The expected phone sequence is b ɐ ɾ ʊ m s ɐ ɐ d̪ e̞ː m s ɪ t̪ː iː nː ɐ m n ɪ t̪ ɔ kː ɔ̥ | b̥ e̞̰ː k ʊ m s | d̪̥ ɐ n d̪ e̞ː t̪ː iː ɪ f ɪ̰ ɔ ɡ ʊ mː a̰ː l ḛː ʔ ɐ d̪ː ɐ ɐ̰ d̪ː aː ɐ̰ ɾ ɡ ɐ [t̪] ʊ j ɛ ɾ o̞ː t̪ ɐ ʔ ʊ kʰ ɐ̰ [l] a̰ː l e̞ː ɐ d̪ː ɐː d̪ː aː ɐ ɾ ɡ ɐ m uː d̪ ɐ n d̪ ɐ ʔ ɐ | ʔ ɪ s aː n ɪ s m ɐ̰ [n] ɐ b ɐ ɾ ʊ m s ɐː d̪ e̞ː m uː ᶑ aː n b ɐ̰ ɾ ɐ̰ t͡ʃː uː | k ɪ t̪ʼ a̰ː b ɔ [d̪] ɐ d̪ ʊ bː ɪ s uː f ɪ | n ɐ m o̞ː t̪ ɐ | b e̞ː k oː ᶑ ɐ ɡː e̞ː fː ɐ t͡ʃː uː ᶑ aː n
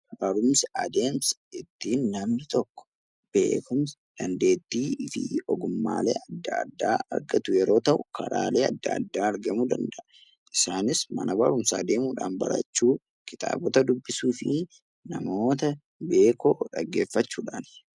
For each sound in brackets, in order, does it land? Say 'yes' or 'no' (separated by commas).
yes, no, yes, no